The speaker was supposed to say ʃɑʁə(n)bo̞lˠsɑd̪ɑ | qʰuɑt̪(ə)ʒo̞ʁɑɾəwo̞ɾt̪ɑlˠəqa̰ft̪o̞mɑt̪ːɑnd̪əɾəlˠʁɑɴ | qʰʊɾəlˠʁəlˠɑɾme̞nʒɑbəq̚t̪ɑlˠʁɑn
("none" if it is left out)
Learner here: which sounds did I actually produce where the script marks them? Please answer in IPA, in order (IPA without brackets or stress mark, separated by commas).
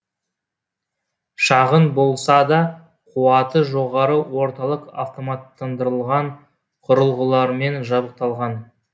n, ə